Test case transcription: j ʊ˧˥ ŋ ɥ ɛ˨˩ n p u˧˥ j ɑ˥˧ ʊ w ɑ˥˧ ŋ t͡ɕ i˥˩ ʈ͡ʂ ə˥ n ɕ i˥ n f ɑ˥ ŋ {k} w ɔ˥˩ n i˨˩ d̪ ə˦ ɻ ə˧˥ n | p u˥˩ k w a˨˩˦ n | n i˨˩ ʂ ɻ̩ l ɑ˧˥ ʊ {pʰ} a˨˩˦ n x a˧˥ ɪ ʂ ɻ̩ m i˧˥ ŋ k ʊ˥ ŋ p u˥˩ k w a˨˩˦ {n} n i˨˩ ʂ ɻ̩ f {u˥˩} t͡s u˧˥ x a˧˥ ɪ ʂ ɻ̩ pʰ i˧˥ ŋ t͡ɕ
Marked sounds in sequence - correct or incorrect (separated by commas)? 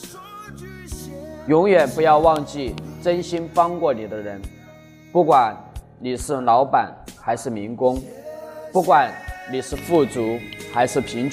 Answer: correct, incorrect, correct, correct